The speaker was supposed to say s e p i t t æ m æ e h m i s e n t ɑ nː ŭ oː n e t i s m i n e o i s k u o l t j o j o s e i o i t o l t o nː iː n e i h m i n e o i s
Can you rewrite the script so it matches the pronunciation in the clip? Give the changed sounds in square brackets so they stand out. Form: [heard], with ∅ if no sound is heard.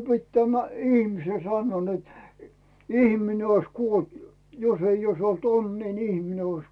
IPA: s e p i t t æ m æ [i] h m i s e n [s] ɑ nː ŭ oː n e t i [h] m i n e o i s k u o l t j o j o s e i o i [s] o l t o nː iː n [i] i h m i n e o i s